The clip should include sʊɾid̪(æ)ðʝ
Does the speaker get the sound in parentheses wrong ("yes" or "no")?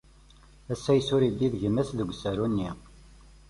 yes